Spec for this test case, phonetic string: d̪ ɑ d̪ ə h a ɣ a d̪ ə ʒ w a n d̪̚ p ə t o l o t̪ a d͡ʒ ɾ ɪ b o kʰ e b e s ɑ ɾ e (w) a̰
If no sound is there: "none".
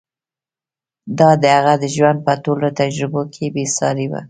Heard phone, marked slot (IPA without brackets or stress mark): w